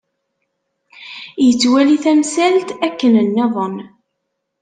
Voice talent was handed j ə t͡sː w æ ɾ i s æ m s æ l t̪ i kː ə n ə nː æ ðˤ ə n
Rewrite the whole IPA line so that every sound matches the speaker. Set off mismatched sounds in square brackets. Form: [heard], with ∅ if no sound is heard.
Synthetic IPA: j ə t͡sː w æ [l] i [θ] æ m s æ l t̪ [æ] kː ə n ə nː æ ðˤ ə n